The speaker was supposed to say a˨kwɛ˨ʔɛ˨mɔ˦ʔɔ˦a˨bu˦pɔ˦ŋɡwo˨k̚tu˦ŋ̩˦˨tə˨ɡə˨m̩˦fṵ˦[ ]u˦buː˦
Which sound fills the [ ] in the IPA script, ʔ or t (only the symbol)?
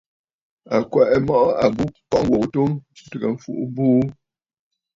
ʔ